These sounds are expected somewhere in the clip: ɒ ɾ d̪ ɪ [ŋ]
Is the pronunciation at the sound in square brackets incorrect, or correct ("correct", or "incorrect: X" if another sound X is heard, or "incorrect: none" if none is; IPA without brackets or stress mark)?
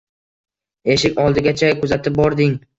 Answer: correct